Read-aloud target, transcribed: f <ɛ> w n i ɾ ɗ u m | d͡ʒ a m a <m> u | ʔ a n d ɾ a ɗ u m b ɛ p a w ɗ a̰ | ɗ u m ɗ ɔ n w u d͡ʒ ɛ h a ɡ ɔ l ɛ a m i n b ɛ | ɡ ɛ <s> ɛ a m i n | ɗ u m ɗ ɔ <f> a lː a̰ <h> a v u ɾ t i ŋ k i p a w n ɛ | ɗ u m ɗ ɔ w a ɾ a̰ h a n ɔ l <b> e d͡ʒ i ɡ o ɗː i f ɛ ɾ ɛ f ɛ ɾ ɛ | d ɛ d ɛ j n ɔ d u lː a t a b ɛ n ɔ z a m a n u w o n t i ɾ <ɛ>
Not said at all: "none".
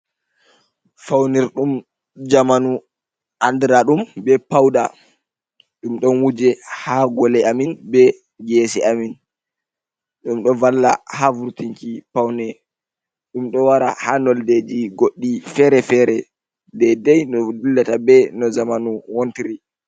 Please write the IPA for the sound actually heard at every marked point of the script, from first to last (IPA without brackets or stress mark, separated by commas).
a, n, s, v, h, d, i